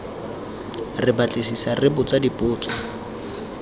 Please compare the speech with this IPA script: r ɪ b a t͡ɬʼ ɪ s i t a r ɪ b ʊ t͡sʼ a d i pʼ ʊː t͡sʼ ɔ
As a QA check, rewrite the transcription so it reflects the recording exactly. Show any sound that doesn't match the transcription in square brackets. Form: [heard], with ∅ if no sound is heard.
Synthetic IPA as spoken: r ɪ b a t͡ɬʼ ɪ s i [s] a r ɪ b ʊ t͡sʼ a d i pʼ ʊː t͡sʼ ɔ